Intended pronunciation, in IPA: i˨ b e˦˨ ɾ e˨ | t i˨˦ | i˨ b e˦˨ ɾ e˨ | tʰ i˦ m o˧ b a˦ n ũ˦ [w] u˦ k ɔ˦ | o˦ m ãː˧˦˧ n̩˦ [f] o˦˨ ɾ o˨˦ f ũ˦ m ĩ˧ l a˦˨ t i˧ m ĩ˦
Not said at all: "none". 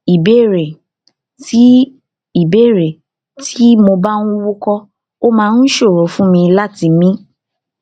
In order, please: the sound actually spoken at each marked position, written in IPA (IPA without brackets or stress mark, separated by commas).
w, ʃ